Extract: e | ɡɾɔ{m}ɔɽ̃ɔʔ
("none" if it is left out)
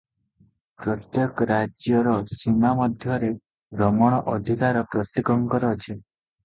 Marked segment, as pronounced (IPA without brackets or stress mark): m